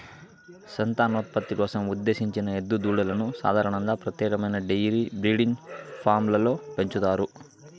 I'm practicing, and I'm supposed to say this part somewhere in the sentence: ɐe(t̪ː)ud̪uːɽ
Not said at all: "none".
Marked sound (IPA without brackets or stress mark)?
d̪ː